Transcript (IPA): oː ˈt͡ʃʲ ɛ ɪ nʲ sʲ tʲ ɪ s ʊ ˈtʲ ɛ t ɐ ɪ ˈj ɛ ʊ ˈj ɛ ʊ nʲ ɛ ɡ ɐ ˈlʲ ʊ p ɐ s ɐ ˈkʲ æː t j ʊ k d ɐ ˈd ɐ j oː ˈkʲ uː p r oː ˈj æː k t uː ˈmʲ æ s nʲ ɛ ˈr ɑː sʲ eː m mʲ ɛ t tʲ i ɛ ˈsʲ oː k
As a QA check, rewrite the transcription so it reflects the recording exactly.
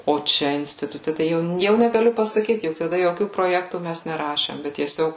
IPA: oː ˈt͡ʃʲ ɛ ɪ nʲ sʲ tʲ ɪ t ʊ ˈtʲ ɛ t ɐ ɪ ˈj ɛ ʊ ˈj ɛ ʊ nʲ ɛ ɡ ɐ ˈlʲ ʊ p ɐ s ɐ ˈkʲ iː t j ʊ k t ɐ ˈd ɐ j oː ˈkʲ uː p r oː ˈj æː k t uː ˈmʲ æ s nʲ ɛ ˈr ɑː ʃʲ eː m bʲ ɛ t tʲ i ɛ ˈsʲ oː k